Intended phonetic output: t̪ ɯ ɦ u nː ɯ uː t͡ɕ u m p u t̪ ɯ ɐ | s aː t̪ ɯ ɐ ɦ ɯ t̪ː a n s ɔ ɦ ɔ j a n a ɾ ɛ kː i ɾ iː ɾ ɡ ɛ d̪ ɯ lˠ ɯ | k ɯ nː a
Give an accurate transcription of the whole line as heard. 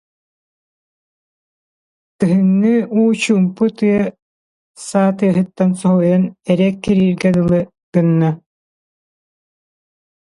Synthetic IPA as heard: t̪ ɯ ɦ ɯ nː ɯ uː t͡ɕ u m p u t̪ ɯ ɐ | s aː t̪ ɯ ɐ ɦ ɯ t̪ː a n s ɔ ɦ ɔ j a n ɛ ɾ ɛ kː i ɾ iː ɾ ɡ ɛ d̪ ɯ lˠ ɯ | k ɯ nː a